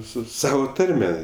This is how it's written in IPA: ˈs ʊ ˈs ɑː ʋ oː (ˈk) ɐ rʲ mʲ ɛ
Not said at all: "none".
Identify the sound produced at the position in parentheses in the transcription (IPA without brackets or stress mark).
t